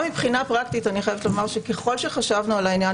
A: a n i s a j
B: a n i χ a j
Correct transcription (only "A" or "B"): B